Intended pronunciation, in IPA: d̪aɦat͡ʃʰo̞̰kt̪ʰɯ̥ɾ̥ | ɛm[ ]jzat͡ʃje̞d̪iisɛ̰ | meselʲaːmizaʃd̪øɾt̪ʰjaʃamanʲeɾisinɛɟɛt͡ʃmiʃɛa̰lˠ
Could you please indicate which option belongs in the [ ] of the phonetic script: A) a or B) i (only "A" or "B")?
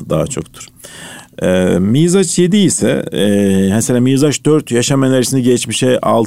B